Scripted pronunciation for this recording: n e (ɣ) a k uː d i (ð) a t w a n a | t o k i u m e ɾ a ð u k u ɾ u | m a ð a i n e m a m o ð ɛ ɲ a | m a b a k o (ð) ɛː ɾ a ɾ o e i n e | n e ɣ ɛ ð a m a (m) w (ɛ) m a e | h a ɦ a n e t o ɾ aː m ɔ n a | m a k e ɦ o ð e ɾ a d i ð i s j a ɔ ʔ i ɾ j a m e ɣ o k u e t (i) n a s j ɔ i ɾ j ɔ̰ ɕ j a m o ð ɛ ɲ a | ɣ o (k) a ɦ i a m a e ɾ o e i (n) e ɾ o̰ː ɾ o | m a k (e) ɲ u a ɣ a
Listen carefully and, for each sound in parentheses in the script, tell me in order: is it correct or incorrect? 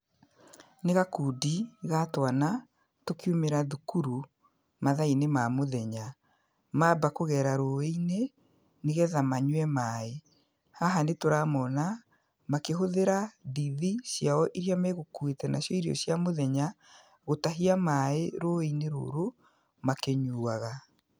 correct, incorrect, incorrect, incorrect, correct, incorrect, incorrect, correct, correct

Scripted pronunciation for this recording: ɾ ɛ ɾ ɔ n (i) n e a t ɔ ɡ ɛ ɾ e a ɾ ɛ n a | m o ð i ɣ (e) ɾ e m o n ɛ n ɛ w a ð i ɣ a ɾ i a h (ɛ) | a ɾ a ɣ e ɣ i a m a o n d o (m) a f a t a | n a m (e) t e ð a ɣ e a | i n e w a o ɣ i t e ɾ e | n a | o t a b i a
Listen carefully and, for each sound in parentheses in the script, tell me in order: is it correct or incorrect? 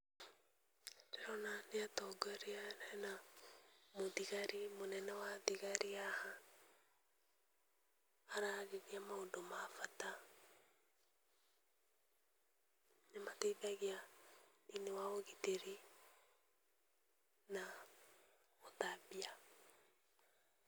incorrect, incorrect, incorrect, correct, incorrect

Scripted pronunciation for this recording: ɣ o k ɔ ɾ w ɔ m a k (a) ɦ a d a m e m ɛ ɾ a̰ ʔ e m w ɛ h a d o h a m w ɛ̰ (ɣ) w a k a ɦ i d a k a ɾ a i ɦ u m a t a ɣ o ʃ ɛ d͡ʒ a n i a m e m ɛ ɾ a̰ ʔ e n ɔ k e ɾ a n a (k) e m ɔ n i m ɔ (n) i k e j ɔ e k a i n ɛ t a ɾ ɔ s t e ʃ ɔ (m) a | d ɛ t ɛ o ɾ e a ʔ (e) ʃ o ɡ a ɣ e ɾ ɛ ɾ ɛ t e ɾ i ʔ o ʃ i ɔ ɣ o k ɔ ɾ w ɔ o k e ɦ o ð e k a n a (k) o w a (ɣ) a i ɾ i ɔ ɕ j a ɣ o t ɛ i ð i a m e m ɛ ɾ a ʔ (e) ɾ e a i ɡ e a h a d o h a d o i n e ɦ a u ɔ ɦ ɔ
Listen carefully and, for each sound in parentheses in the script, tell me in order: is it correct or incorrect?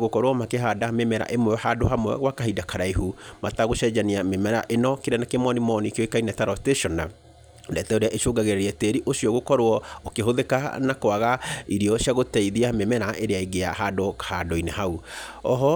incorrect, correct, correct, correct, incorrect, correct, correct, correct, correct

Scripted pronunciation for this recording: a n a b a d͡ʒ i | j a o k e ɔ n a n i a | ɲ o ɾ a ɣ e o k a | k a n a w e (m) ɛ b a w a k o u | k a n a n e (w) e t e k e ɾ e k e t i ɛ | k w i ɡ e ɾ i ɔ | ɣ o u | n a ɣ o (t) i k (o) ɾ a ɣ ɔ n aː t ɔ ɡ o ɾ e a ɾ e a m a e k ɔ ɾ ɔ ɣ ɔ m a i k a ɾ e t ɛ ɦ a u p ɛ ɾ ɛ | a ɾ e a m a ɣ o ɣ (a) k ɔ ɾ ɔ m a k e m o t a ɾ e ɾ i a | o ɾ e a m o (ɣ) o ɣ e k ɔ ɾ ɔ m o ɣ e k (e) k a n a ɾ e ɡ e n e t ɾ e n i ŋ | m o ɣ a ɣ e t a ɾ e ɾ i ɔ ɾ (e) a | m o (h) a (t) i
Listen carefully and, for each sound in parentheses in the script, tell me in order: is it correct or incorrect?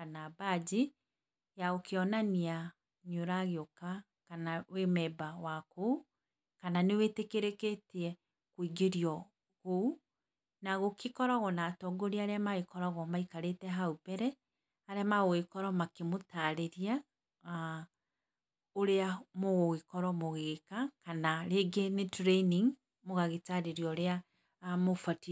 correct, correct, incorrect, incorrect, incorrect, correct, incorrect, correct, incorrect, correct

